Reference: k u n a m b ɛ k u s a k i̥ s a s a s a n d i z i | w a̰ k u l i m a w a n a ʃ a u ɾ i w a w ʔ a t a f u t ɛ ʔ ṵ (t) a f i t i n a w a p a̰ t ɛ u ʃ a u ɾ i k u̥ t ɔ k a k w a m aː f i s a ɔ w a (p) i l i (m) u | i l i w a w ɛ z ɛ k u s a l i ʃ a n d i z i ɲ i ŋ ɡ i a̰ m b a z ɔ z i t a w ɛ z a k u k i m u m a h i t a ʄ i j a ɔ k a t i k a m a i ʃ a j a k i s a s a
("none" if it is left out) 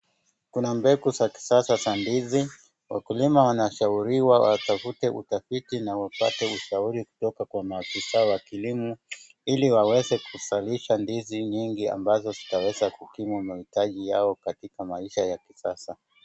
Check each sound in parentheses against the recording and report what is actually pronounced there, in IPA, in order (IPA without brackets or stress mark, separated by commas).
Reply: t, k, m